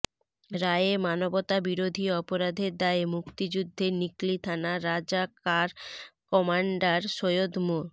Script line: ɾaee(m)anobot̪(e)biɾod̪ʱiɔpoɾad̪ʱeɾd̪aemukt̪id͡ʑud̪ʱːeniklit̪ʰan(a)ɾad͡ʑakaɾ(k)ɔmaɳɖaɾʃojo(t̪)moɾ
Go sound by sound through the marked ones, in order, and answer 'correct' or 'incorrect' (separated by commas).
correct, incorrect, correct, correct, incorrect